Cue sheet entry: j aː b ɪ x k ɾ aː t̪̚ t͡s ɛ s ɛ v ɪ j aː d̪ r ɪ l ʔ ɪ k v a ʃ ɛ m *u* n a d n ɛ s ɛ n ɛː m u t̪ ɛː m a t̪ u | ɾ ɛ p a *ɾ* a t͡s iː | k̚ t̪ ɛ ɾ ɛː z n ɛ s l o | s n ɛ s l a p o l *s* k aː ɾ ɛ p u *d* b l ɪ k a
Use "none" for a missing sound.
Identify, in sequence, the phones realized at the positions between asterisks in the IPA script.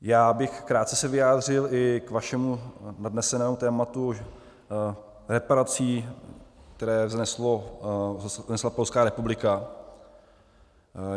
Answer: u, ɾ, s, none

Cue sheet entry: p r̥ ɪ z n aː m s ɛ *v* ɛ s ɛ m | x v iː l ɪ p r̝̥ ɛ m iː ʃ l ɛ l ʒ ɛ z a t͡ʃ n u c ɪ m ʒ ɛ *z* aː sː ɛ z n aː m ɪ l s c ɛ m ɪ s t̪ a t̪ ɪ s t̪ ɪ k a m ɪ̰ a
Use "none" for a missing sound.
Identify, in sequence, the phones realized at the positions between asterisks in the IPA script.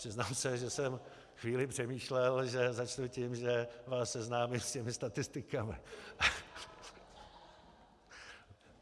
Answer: ʒ, v

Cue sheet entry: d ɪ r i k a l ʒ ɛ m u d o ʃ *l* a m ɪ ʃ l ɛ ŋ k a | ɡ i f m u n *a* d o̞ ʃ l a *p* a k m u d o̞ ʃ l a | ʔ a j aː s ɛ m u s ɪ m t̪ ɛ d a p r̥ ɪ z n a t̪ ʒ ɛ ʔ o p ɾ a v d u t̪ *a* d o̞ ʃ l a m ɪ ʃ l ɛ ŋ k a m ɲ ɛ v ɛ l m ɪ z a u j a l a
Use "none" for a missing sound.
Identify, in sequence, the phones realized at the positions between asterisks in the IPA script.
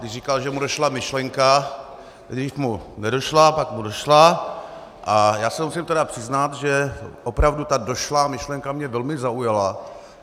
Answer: l, ɛ, p, a

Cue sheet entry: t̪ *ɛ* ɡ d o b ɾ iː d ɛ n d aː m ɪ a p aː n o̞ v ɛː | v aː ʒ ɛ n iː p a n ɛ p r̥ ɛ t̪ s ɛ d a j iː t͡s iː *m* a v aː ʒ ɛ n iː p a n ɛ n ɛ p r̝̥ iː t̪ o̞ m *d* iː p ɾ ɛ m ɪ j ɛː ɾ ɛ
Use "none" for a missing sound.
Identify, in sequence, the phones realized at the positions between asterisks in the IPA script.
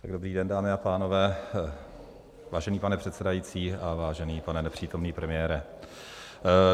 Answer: a, none, n

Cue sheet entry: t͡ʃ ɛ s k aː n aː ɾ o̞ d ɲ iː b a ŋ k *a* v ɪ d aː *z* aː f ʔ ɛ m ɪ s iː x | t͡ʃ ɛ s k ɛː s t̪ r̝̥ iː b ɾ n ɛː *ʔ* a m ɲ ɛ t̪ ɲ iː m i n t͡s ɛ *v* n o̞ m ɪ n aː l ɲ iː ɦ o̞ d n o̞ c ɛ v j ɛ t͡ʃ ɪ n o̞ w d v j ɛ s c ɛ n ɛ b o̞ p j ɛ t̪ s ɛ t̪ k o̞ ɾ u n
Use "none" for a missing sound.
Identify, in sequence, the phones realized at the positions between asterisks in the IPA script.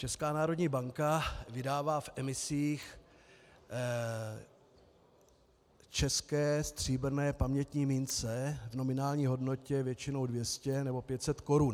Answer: a, v, p, v

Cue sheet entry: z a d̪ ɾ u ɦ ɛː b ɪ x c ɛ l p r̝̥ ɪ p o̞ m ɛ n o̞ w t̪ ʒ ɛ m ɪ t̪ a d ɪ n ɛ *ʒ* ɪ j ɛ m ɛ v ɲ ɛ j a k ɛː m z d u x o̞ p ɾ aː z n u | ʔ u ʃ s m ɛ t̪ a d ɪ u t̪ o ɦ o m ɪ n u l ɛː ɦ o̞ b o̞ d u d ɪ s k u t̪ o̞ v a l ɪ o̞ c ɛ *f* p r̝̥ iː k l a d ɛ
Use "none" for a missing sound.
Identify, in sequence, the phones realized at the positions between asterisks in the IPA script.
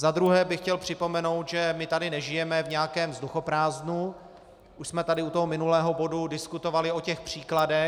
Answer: ʒ, x

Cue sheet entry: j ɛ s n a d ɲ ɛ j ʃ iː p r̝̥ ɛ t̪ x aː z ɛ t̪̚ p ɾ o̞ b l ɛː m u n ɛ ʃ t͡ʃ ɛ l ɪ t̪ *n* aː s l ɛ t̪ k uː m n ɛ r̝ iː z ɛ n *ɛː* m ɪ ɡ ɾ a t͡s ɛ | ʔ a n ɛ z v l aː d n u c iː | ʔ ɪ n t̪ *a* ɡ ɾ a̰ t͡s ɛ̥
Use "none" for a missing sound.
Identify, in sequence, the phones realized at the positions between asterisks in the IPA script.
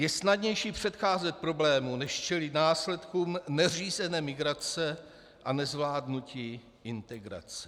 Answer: n, ɛː, ɛ

